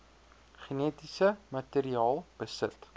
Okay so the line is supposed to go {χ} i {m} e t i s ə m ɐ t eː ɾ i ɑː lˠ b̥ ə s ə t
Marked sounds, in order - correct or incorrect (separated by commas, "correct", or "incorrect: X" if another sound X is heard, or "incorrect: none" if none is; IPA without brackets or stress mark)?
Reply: correct, incorrect: n